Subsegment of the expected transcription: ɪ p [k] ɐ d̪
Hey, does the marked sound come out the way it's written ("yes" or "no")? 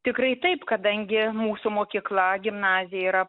yes